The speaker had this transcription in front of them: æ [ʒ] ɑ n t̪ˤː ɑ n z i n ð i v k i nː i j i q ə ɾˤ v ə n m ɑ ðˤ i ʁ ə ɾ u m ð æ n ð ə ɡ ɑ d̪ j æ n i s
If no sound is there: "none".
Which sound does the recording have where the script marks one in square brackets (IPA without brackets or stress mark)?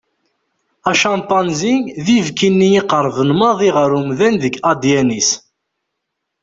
ʃ